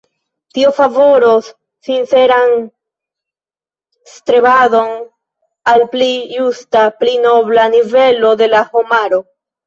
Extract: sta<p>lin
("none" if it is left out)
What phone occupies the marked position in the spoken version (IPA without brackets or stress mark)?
p